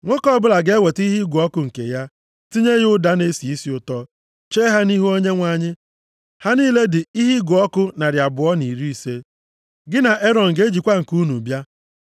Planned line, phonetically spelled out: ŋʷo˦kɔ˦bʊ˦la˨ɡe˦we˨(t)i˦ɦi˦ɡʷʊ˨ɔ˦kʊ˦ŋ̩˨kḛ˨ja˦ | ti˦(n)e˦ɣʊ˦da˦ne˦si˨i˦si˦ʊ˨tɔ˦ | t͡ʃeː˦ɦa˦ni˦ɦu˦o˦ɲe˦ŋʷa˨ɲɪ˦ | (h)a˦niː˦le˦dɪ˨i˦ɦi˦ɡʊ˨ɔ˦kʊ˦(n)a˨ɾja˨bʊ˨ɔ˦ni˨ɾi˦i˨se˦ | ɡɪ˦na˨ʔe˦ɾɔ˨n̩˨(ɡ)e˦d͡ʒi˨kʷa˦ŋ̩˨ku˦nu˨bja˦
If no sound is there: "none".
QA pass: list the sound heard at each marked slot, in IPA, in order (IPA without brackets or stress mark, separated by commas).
t, ɲ, h, n, ɡ